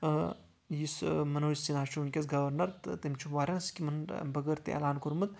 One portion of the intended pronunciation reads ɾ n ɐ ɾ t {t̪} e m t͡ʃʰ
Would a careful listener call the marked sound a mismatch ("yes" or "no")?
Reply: no